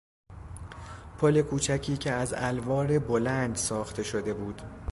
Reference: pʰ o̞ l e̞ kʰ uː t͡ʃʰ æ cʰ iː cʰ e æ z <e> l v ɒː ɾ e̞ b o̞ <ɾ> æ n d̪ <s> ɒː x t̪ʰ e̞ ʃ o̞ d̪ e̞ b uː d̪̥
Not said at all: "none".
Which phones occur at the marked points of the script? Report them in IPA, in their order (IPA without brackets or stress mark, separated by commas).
æ, l, s